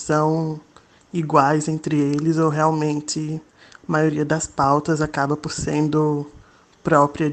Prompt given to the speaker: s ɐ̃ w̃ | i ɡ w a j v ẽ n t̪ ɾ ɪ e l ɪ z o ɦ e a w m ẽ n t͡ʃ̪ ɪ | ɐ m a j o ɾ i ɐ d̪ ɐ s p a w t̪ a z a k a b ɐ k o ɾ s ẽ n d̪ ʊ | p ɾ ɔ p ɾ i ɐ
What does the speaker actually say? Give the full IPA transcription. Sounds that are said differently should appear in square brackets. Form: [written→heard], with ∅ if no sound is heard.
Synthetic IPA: s ɐ̃ w̃ | i ɡ w a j [v→z] ẽ n t̪ ɾ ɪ e l ɪ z o ɦ e a w m ẽ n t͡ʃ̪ ɪ | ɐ m a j o ɾ i ɐ d̪ ɐ s p a w t̪ [a→ɐ] z a k a b ɐ [k→p] o ɾ s ẽ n d̪ ʊ | p ɾ ɔ p ɾ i ɐ